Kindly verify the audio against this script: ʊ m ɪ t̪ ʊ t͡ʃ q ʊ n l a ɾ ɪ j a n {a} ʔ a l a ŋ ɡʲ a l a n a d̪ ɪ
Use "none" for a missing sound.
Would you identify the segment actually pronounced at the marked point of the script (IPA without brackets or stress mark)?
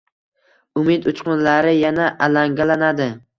a